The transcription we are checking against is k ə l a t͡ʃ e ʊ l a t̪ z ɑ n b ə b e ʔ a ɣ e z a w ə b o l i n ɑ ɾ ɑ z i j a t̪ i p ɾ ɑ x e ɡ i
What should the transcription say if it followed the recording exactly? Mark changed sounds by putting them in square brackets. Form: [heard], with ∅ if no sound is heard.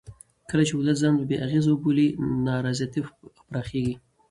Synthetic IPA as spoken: k ə l a t͡ʃ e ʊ l a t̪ z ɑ n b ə b e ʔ a ɣ e z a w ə b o l i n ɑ ɾ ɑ z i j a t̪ i p ɾ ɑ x e ɡ i